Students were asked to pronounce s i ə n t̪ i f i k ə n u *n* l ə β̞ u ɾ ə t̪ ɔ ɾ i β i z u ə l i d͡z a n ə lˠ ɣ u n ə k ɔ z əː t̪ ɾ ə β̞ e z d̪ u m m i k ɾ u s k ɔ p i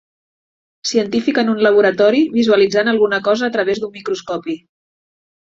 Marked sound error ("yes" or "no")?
no